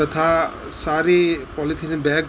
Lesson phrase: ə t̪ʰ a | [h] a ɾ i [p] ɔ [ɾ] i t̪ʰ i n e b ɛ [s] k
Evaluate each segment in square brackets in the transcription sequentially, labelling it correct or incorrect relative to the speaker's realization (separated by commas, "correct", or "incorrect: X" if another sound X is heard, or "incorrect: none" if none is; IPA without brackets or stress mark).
incorrect: s, correct, incorrect: l, incorrect: none